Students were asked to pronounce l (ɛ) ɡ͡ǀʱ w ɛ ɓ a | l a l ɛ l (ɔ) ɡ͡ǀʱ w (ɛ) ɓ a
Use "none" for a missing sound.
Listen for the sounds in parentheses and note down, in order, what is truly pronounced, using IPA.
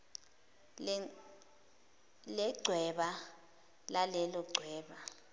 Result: ɛ, ɔ, ɛː

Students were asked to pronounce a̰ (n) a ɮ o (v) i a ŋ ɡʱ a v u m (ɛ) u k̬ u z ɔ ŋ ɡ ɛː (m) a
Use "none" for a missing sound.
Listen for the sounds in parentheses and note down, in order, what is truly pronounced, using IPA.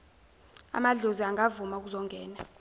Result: m, z, a, n

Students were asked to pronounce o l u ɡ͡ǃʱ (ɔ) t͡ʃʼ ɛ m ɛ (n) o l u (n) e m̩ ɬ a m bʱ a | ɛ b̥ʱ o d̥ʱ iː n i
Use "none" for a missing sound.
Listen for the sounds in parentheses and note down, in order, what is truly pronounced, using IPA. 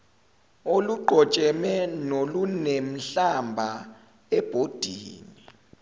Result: ɔ, n, n

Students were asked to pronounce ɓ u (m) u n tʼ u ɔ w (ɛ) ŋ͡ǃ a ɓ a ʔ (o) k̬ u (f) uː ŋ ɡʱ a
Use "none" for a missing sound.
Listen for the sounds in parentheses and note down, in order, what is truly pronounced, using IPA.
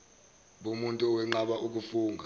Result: m, ɛ, u, f

